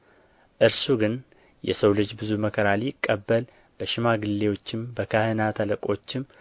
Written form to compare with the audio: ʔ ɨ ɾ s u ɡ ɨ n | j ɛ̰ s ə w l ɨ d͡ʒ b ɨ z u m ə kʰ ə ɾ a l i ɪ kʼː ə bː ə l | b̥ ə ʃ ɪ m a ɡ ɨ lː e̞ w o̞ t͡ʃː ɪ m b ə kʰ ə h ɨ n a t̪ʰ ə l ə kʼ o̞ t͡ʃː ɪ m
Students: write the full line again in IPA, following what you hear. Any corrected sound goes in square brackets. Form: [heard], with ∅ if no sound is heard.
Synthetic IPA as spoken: ʔ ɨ ɾ s u ɡ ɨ n | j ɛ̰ s ə w l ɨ d͡ʒ b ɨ z u m ə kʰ ə ɾ a l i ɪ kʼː ə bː ə l | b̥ ə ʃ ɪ m a ɡ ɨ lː e̞ w o̞ t͡ʃː ɪ m b ə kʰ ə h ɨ n a t̪ʰ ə l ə kʼ o̞ t͡ʃː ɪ m